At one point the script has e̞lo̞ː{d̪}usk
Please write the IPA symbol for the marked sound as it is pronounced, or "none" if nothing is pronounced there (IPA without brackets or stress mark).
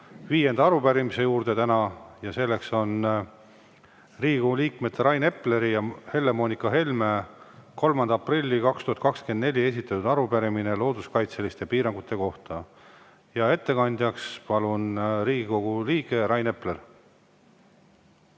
d̪